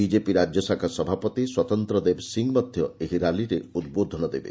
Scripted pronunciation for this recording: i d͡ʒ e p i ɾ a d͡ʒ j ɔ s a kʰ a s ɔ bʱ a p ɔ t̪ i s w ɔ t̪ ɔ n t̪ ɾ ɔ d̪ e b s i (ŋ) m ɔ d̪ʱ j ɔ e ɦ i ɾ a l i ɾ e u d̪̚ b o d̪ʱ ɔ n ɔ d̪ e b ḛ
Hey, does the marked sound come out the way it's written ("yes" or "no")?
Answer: yes